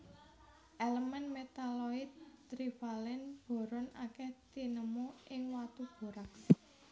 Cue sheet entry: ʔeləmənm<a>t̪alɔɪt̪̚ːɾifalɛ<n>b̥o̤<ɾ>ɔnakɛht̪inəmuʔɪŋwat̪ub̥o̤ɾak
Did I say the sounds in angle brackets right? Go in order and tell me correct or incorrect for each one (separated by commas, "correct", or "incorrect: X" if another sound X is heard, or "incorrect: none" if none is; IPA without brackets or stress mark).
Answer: incorrect: e, correct, correct